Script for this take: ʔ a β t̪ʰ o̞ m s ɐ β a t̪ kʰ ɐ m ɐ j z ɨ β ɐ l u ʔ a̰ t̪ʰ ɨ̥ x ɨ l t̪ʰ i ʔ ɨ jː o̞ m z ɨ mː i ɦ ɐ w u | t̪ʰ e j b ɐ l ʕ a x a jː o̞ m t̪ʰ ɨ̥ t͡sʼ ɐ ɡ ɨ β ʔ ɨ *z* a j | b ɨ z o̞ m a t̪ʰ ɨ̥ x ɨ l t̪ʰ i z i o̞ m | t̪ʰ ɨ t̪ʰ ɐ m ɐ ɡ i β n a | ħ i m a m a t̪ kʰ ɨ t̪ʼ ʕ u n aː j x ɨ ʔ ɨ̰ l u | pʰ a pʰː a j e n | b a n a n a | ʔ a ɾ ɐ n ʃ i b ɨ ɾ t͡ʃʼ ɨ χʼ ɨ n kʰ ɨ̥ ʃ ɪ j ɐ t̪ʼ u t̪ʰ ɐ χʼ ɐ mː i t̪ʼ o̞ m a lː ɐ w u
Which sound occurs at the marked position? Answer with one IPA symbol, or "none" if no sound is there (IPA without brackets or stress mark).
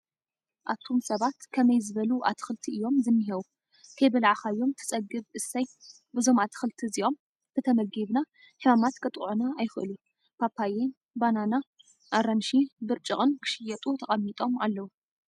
s